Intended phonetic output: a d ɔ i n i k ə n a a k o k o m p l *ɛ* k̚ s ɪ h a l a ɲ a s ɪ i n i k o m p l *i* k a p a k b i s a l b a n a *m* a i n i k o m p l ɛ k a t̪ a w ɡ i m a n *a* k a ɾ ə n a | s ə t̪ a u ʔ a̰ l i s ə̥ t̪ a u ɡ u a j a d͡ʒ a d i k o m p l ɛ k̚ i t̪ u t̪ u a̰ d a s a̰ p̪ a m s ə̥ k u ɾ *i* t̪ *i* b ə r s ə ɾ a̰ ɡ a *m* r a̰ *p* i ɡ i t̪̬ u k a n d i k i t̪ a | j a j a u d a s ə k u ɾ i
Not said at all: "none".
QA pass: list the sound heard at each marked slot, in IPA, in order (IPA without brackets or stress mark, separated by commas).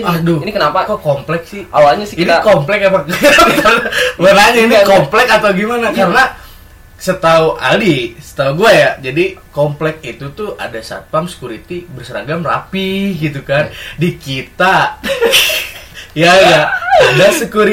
ɛ, ɛ, ɲ, a, i, i, m, p